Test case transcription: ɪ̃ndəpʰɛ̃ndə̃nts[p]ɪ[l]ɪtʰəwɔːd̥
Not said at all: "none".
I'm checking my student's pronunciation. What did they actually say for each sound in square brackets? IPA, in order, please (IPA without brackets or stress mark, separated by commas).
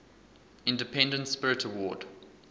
p, ɹ